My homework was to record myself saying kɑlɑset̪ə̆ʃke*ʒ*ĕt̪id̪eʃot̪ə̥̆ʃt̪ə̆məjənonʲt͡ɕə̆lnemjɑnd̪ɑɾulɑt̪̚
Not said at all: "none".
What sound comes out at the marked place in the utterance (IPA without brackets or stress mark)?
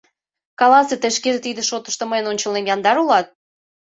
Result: ʒ